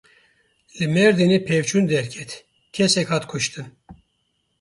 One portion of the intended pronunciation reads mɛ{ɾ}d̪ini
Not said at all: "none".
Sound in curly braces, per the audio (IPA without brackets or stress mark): ɾ